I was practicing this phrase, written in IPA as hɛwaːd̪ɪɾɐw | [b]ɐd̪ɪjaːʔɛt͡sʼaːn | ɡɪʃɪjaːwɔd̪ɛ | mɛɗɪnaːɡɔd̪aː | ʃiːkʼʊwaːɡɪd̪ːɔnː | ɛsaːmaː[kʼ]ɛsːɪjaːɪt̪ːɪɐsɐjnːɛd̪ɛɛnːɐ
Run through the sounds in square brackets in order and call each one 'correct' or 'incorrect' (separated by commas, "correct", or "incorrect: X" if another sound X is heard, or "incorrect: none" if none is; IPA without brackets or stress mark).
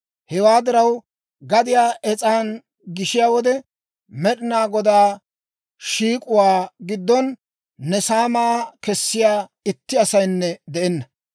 incorrect: ɡ, incorrect: k